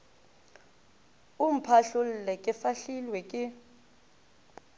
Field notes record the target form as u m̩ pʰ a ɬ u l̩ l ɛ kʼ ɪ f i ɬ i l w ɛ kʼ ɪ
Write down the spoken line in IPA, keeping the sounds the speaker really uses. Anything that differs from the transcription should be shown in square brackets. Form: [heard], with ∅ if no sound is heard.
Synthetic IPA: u m̩ pʰ a ɬ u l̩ l ɛ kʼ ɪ f [a] ɬ i l w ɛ kʼ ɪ